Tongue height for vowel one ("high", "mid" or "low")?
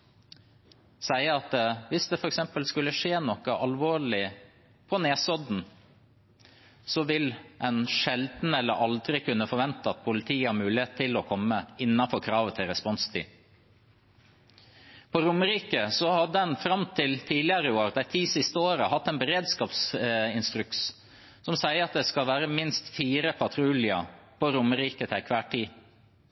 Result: low